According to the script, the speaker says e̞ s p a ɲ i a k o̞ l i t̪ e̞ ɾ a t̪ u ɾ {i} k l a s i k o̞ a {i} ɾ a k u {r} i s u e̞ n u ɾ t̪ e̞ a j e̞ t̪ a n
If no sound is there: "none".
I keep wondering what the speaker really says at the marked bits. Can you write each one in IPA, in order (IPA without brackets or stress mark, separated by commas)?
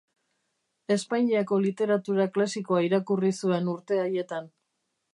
a, i, r